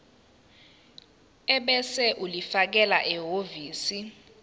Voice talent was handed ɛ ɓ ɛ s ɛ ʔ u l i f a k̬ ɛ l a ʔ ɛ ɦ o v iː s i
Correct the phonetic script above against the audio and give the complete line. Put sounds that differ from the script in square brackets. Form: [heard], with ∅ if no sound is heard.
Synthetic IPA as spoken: ɛ ɓ ɛ s ɛ ʔ u l i f a k̬ ɛ l a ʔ ɛ ɦ o v iː s i